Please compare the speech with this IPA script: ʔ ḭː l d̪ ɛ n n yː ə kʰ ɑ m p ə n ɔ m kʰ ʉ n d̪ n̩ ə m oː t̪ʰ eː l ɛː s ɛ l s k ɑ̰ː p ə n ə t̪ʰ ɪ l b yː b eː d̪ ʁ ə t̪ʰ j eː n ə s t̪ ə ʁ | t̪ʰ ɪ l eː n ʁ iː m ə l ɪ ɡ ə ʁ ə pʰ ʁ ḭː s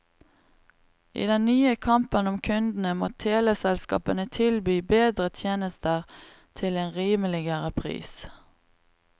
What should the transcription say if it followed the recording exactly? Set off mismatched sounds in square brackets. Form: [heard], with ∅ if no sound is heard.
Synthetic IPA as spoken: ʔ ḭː [∅] d̪ ɛ n n yː ə kʰ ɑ m p ə n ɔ m kʰ ʉ n d̪ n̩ ə m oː t̪ʰ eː l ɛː s ɛ l s k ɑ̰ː p ə n ə t̪ʰ ɪ l b yː b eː d̪ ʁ ə t̪ʰ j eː n ə s t̪ ə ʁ | t̪ʰ ɪ l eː n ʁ iː m ə l ɪ ɡ ə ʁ ə pʰ ʁ ḭː s